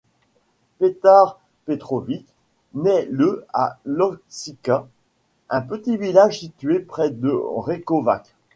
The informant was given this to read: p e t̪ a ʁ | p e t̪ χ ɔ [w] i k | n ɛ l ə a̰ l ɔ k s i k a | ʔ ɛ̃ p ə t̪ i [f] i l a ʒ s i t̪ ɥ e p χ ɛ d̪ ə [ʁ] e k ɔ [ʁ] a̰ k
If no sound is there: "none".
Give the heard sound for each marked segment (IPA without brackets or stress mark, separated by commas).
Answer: v, v, ʁ, v